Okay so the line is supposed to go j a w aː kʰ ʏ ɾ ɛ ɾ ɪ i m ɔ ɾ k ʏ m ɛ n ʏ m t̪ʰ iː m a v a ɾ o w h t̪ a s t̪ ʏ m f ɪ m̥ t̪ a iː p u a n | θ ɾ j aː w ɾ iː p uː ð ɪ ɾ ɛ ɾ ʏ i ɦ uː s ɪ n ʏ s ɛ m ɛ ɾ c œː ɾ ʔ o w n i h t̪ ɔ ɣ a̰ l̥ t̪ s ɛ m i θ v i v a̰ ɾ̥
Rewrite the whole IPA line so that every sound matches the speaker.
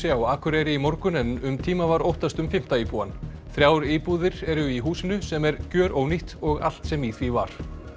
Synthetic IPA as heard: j a w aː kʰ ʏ ɾ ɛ ɾ ɪ i m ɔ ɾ k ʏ n ɛ n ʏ m t̪ʰ iː m a v a ɾ o w h t̪ a s t̪ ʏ m f ɪ m̥ t̪ a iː p u a n | θ ɾ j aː w ɾ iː p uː ð ɪ ɾ ɛ ɾ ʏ i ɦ uː s ɪ n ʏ s ɛ m ɛ ɾ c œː ɾ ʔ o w n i h t̪ ɔ ɣ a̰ l̥ t̪ s ɛ m i θ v i v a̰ ɾ̥